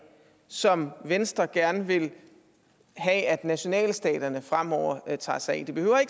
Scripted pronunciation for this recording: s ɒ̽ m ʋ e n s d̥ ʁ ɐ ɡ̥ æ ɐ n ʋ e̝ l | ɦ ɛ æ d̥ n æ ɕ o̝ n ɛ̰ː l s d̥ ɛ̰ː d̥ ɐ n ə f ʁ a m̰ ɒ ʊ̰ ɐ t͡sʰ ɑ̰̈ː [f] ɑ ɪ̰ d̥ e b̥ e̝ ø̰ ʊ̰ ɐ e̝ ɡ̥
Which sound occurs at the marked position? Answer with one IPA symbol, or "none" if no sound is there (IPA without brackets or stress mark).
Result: s